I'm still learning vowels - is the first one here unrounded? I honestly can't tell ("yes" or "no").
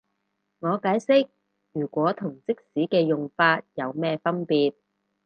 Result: no